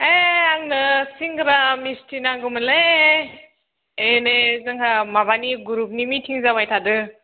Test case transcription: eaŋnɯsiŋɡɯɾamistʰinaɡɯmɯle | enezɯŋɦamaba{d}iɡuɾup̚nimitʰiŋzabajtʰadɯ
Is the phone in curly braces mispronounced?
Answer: yes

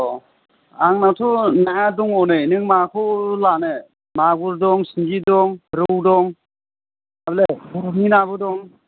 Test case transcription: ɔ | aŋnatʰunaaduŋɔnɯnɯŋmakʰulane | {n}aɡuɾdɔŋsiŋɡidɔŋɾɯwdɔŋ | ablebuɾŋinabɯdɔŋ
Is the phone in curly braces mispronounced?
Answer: yes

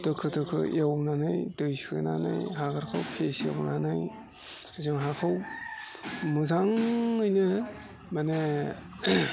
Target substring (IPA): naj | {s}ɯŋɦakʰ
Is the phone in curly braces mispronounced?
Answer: yes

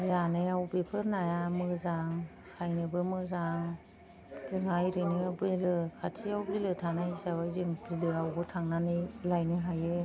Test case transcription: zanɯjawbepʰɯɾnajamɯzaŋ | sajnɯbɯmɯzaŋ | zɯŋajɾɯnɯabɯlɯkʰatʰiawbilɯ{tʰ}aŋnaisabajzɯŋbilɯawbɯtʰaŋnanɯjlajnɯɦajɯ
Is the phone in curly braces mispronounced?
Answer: no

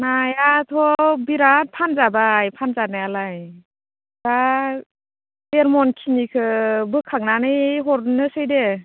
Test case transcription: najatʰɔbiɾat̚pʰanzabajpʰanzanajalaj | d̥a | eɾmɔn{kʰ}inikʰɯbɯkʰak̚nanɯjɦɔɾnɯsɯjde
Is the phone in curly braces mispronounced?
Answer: no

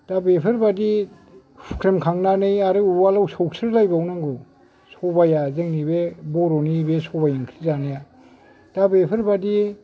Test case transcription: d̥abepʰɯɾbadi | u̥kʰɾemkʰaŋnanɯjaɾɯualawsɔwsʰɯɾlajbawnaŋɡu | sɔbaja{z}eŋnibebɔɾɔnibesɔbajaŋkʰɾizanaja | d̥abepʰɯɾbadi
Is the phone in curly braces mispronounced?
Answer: no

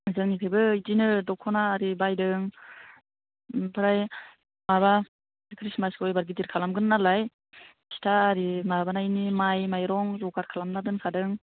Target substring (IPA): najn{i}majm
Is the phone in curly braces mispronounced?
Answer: no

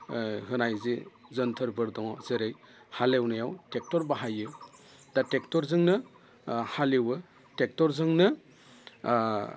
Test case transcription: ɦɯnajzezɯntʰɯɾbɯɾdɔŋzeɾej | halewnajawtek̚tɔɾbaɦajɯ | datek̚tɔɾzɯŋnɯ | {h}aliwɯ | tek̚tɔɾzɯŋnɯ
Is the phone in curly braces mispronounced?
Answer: no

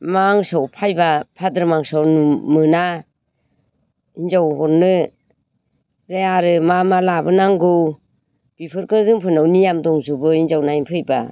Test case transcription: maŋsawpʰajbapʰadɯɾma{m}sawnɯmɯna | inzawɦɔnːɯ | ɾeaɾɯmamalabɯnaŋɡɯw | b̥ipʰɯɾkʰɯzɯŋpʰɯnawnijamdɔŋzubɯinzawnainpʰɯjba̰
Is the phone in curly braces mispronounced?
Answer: yes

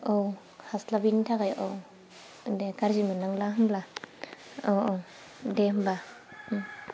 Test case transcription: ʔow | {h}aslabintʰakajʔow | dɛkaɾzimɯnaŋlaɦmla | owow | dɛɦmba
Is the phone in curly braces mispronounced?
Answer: no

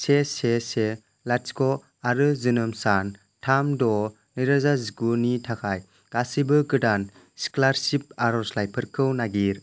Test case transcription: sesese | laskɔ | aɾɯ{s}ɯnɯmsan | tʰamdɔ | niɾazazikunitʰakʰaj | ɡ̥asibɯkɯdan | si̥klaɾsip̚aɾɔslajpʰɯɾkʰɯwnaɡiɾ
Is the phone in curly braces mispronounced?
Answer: yes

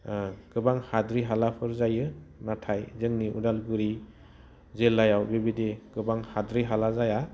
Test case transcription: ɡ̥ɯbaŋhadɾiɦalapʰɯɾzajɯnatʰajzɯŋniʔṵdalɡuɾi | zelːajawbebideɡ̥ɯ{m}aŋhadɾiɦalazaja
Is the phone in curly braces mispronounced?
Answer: yes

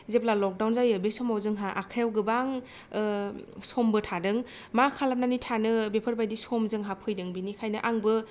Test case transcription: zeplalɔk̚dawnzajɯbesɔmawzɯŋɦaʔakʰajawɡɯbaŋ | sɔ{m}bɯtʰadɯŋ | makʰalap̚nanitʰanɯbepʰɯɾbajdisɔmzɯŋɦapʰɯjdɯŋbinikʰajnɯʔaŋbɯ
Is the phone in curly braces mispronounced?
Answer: no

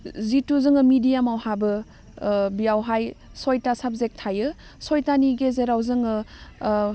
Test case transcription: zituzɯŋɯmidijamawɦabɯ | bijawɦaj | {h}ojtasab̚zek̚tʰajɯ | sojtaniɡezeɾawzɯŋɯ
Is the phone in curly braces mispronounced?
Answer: yes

